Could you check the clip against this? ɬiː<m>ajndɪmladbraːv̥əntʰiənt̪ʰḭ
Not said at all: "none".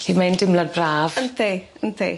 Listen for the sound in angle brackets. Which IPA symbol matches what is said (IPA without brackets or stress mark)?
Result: m